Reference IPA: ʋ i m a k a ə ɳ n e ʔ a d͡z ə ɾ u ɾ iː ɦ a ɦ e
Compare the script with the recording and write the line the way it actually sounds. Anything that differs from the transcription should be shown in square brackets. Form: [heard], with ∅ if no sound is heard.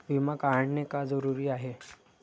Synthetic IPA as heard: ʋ i m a k a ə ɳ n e [k] a d͡z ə ɾ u ɾ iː [∅] a ɦ e